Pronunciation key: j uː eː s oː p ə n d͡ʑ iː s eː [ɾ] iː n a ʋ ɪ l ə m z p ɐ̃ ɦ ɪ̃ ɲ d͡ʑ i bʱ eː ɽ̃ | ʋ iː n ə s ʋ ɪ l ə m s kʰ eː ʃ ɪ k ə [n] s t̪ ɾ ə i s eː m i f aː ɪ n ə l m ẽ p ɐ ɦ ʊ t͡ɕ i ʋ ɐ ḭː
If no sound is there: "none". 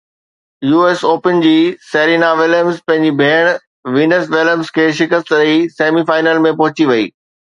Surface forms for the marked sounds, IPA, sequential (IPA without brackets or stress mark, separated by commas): ɾ, none